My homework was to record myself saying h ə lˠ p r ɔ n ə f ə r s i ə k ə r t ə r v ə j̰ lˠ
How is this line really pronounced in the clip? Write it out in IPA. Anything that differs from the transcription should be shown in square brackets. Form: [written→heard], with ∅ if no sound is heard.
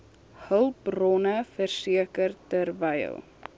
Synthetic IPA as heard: h ə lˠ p r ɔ n ə f ə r s i ə k ə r t ə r v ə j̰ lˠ